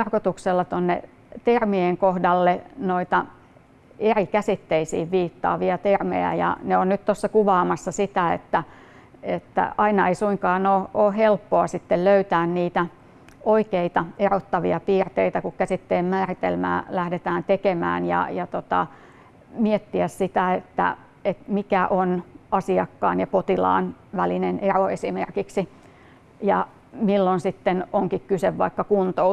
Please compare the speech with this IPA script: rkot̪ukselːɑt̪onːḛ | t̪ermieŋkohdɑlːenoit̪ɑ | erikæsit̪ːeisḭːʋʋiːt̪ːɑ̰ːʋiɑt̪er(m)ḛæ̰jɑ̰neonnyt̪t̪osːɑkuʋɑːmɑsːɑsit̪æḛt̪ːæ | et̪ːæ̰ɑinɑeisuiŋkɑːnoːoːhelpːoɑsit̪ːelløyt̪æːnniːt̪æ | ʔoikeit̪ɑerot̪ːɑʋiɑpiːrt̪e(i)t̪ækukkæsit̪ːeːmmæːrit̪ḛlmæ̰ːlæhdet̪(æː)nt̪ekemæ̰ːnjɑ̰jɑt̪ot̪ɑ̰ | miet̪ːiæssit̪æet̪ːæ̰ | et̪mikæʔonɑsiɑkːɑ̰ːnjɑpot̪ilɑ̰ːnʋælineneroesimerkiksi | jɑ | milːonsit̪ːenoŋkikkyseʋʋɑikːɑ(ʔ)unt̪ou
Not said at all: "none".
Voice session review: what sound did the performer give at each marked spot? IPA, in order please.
m, i, æː, k

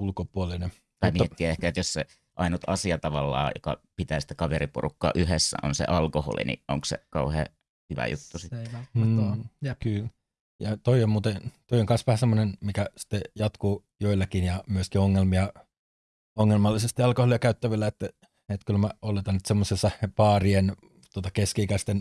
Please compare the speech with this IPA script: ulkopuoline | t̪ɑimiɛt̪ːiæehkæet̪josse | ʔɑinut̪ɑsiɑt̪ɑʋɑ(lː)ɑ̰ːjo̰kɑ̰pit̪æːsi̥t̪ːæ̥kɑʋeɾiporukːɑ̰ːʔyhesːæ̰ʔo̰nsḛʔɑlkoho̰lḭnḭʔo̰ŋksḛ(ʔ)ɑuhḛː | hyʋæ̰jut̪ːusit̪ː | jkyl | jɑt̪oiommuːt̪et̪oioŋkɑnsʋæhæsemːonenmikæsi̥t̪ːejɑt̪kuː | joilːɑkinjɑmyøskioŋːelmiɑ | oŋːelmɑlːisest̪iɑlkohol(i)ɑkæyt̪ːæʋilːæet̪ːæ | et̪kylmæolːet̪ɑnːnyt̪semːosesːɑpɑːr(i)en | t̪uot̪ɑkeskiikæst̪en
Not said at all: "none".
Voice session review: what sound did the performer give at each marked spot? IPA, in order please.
lː, k, i, i

